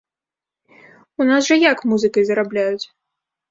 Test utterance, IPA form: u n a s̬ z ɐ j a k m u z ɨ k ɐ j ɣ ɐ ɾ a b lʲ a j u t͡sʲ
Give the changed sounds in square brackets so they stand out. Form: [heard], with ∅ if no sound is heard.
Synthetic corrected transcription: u n a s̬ [ʐ] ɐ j a k m u z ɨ k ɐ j [z] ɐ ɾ a b lʲ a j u t͡sʲ